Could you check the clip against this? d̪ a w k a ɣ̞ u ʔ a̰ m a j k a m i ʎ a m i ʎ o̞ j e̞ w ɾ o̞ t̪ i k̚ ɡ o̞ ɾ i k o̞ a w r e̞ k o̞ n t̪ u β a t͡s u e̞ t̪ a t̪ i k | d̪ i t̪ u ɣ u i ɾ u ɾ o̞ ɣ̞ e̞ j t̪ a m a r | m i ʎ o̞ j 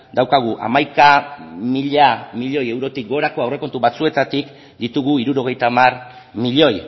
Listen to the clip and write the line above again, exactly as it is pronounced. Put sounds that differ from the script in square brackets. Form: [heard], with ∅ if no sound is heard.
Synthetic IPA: d̪ a w k a ɣ̞ u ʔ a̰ m a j k a m i ʎ a m i ʎ o̞ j e̞ w ɾ o̞ t̪ i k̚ ɡ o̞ ɾ [a] k o̞ a w r e̞ k o̞ n t̪ u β a t͡s u e̞ t̪ a t̪ i k | d̪ i t̪ u ɣ u i ɾ u ɾ o̞ ɣ̞ e̞ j t̪ a m a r | m i ʎ o̞ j